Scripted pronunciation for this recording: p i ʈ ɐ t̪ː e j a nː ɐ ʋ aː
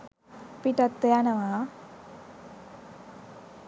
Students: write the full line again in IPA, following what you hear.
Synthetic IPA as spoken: p i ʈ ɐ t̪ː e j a n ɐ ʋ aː